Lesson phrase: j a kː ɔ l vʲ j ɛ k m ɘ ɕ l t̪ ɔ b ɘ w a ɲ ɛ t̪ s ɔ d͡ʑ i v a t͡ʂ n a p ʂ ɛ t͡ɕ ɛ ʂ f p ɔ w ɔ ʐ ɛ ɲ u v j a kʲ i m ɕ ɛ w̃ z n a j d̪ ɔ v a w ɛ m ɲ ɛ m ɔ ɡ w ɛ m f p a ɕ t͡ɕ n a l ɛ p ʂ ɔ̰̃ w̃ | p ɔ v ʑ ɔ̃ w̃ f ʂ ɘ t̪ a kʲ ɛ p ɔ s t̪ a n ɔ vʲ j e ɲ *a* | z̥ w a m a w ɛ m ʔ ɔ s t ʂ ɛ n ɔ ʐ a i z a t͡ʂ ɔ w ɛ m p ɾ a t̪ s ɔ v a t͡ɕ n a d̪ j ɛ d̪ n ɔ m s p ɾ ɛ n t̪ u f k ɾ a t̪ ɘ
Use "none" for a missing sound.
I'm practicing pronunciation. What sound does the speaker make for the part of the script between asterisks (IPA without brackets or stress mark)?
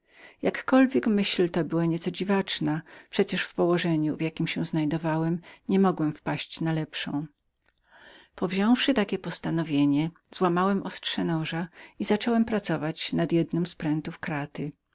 ɛ